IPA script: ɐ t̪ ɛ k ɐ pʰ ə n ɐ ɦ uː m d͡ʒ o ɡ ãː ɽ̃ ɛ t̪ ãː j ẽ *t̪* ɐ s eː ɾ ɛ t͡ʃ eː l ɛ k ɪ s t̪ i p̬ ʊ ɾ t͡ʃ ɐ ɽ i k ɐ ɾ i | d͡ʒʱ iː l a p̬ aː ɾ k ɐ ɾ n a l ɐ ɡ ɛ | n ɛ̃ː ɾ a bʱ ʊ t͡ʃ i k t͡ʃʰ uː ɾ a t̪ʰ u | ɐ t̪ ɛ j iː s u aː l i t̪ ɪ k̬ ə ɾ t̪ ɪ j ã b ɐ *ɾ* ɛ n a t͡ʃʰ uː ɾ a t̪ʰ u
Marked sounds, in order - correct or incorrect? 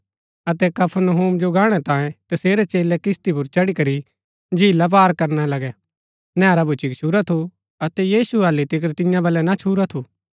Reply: correct, incorrect

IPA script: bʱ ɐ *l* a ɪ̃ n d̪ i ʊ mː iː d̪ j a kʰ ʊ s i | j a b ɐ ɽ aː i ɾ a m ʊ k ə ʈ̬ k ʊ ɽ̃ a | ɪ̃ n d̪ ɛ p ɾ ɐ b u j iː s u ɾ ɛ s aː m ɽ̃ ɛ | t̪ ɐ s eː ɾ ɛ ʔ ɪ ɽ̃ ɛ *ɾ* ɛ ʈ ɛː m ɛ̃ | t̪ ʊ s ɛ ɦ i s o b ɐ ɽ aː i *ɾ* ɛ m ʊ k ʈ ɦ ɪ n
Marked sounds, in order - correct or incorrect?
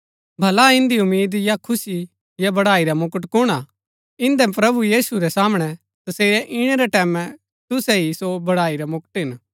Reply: correct, correct, correct

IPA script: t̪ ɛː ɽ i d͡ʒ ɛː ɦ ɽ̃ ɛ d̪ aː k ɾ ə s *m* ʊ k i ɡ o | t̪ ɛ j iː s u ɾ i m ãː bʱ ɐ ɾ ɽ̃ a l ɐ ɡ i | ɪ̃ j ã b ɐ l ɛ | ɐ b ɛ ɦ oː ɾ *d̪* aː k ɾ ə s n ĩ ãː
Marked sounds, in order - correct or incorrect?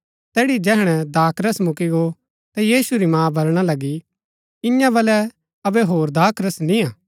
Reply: correct, correct

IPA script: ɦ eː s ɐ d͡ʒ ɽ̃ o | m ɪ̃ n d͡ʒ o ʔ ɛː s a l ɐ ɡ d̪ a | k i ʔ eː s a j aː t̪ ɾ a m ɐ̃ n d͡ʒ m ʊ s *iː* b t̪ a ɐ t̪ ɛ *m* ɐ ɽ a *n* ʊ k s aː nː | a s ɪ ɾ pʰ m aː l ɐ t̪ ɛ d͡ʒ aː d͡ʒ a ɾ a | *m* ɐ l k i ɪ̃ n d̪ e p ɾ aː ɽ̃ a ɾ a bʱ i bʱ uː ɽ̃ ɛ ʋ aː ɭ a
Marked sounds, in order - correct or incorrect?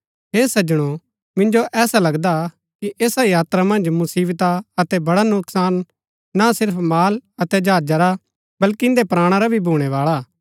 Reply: correct, incorrect, correct, incorrect

